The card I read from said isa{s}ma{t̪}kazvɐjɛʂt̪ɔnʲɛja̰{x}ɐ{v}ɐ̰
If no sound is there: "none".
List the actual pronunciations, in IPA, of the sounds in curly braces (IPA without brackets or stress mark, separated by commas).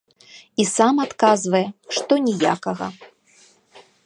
none, t̪, k, ɣ